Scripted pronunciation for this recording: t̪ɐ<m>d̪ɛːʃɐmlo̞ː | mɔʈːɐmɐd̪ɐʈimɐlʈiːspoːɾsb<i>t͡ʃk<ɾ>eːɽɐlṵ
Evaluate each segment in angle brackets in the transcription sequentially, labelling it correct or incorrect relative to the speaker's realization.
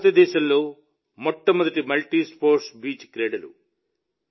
incorrect: none, incorrect: iː, correct

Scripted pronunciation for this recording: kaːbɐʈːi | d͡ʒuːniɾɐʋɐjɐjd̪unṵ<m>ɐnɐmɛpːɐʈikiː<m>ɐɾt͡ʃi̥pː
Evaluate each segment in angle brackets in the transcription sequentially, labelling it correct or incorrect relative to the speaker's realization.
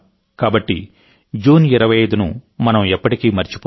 correct, correct

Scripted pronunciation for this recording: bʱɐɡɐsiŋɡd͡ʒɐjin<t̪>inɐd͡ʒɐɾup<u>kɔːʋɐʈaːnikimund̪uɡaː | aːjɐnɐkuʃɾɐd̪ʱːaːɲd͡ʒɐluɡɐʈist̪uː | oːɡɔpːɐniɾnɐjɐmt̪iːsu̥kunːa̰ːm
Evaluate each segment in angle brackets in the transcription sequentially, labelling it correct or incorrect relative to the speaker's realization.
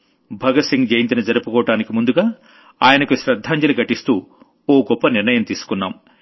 correct, correct

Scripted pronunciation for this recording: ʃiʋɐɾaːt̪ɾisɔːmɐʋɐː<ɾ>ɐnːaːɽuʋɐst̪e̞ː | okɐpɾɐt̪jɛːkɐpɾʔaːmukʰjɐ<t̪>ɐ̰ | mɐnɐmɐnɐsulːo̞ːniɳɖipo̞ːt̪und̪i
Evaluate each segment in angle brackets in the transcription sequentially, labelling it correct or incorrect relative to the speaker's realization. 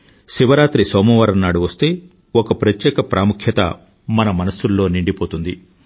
correct, correct

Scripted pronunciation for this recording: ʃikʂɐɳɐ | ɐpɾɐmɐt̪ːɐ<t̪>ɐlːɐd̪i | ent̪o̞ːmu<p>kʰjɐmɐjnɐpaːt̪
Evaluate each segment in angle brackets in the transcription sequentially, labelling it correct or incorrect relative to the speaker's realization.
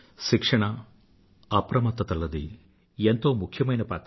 correct, incorrect: none

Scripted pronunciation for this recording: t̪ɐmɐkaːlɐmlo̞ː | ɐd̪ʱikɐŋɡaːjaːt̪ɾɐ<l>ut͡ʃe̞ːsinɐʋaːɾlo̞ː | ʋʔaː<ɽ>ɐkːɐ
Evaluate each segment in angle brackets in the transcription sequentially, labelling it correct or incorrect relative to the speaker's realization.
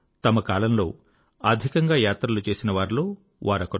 correct, incorrect: ɾ

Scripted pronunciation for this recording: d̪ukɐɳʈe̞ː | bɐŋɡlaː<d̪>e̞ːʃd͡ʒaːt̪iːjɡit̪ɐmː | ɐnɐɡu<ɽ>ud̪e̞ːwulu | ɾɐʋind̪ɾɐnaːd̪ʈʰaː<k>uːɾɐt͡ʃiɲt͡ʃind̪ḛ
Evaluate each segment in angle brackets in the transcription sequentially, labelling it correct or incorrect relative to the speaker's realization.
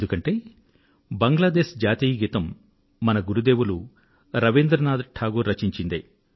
correct, incorrect: ɾ, incorrect: ɡ

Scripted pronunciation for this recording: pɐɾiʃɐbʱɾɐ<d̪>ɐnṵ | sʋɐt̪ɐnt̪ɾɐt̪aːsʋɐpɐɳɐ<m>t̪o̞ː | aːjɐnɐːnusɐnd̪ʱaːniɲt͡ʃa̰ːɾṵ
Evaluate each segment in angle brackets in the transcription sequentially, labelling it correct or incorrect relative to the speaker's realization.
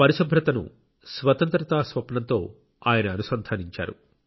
incorrect: t̪, incorrect: n

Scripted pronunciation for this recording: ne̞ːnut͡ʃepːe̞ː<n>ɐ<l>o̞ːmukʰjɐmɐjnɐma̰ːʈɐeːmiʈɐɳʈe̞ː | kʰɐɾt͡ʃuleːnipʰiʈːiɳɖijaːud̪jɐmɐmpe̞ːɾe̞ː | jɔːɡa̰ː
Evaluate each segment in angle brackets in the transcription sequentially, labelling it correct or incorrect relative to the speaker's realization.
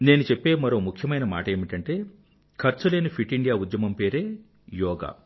incorrect: m, incorrect: ɾ

